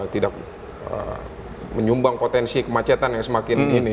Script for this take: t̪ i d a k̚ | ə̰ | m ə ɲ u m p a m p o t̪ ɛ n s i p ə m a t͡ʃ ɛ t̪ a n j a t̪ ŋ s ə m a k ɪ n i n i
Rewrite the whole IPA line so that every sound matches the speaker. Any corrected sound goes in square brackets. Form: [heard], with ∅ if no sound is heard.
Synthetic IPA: t̪ i d a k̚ | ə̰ | m ə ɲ u m [b] a [ŋ] p o t̪ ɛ n s i [k] ə m a t͡ʃ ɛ t̪ a n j a [∅] ŋ s ə m a k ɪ n i n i